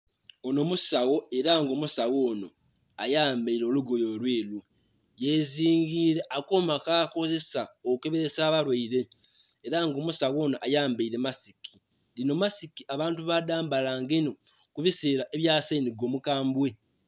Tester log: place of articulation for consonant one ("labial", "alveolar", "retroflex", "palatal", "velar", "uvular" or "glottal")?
alveolar